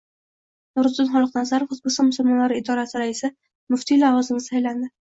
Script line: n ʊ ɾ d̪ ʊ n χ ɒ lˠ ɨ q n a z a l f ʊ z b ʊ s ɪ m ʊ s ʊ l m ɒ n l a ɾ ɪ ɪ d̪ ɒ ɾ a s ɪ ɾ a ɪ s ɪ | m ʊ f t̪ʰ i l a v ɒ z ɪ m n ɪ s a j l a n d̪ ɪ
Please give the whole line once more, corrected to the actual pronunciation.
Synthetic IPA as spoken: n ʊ ɾ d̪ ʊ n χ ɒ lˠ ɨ q n a z a ɾ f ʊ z b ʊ s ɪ m ʊ s ʊ l m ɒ n l a ɾ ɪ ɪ d̪ ɒ ɾ a s ɪ ɾ a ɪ s ɪ | m ʊ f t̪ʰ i l a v ɒ z ɪ m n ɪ s a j l a n d̪ ɪ

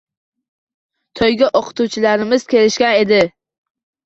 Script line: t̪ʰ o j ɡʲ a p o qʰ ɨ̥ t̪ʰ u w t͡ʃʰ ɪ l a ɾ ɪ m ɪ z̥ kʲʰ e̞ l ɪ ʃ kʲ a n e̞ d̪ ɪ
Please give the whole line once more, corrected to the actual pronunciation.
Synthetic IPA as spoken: t̪ʰ ɒ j ɡʲ a ʔ o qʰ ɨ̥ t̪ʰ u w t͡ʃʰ ɪ l a ɾ ɪ m ɪ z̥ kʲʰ e̞ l ɪ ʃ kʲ a n e̞ d̪ ɪ

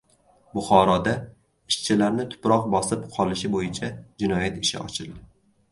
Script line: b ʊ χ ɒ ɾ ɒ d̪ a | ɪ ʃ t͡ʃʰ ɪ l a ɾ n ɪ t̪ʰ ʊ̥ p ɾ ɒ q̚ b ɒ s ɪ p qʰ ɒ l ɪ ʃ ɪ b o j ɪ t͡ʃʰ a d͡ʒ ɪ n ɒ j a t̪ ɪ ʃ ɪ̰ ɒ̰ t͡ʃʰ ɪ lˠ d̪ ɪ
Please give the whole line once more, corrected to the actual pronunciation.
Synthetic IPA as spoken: b ʊ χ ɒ ɾ ɒ d̪ a | ɪ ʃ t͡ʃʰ ɪ l a ɾ n ɪ t̪ʰ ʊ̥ p ɾ ɒ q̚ b ɒ s ɪ p qʰ ɒ l ɪ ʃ ɪ b o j ɪ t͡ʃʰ a d͡ʒ ɪ n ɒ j a t̪ ɪ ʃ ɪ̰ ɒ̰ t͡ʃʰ ɪ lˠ d̪ ɪ

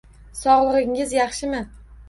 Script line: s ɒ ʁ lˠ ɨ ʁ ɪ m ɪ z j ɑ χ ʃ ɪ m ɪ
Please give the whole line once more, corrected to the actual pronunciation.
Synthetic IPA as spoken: s ɒ ʁ lˠ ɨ ʁ ɪ ŋ ɪ z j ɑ χ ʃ ɪ m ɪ

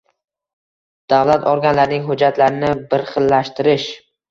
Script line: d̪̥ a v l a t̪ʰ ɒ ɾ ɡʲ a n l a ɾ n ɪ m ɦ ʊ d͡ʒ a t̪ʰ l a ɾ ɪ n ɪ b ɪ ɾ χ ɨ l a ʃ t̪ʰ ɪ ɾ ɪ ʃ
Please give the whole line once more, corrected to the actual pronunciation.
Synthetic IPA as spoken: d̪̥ a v l a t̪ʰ ɒ ɾ ɡʲ a n l a ɾ n ɪ ŋ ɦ ʊ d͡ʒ a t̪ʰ l a ɾ ɪ n ɪ b ɪ ɾ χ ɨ lː a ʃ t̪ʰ ɪ ɾ ɪ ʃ

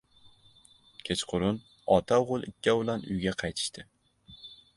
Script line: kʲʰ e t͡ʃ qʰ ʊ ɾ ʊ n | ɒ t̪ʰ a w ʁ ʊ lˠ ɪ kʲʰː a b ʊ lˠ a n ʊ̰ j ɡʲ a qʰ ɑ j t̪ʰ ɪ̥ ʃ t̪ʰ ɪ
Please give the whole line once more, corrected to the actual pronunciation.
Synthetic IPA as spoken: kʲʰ e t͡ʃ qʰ ʊ ɾ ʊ n | ɒ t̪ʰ a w ʁ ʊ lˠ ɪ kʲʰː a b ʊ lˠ a n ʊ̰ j ɡʲ a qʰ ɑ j t̪ʰ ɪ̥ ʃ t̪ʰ ɪ

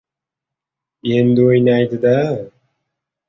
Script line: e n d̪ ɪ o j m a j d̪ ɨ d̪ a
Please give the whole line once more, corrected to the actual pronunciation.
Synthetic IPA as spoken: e n d̪ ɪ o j n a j d̪ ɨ d̪ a

